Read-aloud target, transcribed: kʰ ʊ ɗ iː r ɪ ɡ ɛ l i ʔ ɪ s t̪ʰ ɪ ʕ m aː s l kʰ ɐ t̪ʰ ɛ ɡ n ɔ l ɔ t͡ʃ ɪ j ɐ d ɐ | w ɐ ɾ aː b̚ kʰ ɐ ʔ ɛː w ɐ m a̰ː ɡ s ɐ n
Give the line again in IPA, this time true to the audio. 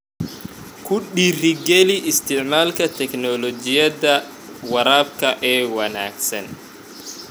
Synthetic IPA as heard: kʰ ʊ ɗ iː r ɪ ɡ ɛ l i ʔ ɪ s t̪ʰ ɪ ʕ m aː l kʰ ɐ t̪ʰ ɛ k n ɔ l ɔ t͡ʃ ɪ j ɐ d ɐ | w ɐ ɾ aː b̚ kʰ ɐ ʔ ɛː w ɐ n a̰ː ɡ s ɐ n

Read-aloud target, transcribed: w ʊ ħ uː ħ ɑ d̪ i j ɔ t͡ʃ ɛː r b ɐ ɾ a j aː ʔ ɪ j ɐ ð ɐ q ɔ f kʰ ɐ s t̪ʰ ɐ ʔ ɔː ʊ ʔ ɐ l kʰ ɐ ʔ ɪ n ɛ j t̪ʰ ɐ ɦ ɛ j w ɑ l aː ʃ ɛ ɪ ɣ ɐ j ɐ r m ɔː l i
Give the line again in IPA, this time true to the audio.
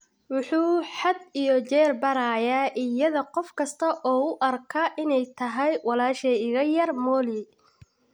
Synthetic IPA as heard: w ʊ ħ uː ħ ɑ d̪ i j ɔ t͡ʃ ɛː r b ɐ ɾ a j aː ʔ ɪ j ɐ ð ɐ q ɔ f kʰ ɐ s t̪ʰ ɐ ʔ ɔː ʊ ʔ ɐ r kʰ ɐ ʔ ɪ n ɛ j t̪ʰ ɐ ɦ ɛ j w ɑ l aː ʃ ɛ ɪ ɣ ɐ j ɐ r m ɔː l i

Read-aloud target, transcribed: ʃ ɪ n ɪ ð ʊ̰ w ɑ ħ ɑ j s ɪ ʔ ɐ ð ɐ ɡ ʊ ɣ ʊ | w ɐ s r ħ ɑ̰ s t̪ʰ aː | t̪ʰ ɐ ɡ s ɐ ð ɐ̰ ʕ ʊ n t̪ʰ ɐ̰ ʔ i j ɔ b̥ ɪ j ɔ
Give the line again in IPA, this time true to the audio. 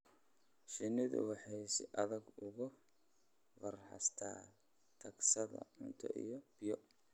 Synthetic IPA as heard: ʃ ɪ n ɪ ð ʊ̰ w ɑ ħ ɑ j s ɪ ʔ ɐ ð ɐ ɡ ʊ ɣ ʊ | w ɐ r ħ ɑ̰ s t̪ʰ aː | t̪ʰ ɐ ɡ s ɐ ð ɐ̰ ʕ ʊ n t̪ʰ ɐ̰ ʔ i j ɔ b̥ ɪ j ɔ

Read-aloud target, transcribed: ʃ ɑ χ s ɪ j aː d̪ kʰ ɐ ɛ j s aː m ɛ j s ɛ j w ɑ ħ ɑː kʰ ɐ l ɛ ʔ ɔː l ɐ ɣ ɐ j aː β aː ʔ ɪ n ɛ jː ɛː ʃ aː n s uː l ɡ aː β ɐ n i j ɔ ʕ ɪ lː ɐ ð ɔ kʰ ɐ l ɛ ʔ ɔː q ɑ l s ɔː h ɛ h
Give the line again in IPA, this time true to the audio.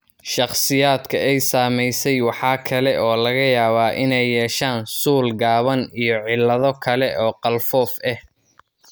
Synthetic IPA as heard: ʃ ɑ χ s ɪ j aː d̪ kʰ ɐ ɛ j s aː m ɛ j s ɛ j w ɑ ħ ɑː kʰ ɐ l ɛ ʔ ɔː l ɐ ɣ ɐ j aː β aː ʔ ɪ n ɛ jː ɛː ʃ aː n s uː l ɡ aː β ɐ n i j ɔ ʕ ɪ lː ɐ ð ɔ kʰ ɐ l ɛ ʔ ɔː q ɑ l f ɔː f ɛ h

